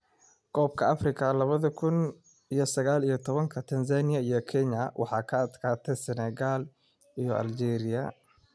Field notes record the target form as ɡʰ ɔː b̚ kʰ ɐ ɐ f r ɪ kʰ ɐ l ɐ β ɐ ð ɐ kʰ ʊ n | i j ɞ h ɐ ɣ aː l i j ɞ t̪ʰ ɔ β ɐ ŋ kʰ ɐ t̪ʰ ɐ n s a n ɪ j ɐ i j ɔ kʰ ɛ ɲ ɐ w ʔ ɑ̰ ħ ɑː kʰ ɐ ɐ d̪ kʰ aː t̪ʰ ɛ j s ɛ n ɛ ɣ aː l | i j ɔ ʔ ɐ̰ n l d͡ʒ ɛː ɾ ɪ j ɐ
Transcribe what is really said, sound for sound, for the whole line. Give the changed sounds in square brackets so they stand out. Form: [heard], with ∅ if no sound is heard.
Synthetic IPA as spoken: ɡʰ ɔː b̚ kʰ ɐ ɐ f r ɪ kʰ ɐ l ɐ β ɐ ð ɐ kʰ ʊ n | i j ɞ [s] ɐ ɣ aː l i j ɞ t̪ʰ ɔ β ɐ ŋ kʰ ɐ t̪ʰ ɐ n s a n ɪ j ɐ i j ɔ kʰ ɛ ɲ ɐ w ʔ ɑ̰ ħ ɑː kʰ ɐ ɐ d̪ kʰ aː t̪ʰ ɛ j s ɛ n ɛ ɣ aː l | i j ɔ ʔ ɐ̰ [∅] l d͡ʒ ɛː ɾ ɪ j ɐ